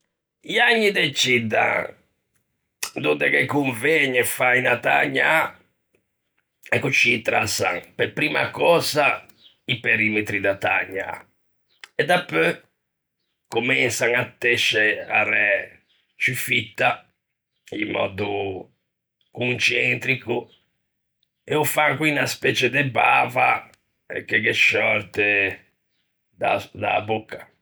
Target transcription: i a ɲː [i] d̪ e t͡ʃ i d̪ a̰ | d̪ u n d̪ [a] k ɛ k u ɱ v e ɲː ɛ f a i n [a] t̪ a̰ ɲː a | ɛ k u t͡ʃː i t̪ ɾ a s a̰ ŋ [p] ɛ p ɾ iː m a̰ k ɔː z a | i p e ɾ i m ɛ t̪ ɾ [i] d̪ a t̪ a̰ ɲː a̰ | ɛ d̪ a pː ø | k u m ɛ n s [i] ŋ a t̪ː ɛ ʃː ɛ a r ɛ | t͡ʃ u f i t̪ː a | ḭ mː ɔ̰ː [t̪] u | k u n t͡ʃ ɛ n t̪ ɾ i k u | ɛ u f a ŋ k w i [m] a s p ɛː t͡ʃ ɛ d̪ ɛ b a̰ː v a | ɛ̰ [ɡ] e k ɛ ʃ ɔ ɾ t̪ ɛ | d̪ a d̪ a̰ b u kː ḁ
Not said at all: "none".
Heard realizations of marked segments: i, ɛ, a, p, i, a, d̪, n, k

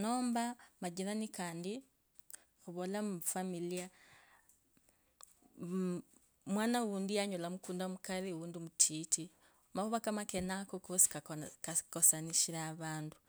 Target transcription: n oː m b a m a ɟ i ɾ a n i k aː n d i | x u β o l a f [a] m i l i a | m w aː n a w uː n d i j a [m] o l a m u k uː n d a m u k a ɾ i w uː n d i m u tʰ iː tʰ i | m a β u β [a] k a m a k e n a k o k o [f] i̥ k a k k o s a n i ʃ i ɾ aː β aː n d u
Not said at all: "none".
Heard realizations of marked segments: a, ɲ, a, s

